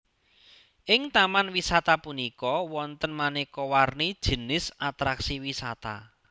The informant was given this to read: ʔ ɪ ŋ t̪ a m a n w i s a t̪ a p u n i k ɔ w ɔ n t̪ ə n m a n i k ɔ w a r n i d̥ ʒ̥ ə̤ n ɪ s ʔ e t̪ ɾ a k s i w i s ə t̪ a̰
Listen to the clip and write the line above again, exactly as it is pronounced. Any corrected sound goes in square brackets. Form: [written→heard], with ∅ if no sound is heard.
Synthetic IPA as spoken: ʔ ɪ ŋ t̪ a m a n w i s a t̪ a p u n i k ɔ w ɔ n t̪ ə n m a n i k ɔ w a r n i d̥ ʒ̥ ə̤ n ɪ s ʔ [e→a] t̪ ɾ a k s i w i s [ə→a] t̪ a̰